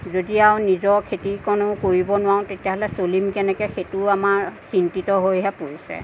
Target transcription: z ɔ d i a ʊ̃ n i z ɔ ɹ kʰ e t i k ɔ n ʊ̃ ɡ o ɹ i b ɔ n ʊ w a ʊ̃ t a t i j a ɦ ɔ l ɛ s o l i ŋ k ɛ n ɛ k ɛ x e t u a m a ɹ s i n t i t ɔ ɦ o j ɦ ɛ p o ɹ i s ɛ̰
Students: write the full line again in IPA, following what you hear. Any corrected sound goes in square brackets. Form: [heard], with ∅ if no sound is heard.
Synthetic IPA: z [o] d i a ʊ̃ n i z ɔ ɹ kʰ e t i k ɔ n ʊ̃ [k] o ɹ i b ɔ n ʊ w a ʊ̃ t [e] t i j a ɦ ɔ l ɛ s o l i [m] k ɛ n ɛ k ɛ x e t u a m a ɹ s i n t i t ɔ ɦ o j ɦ ɛ p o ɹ i s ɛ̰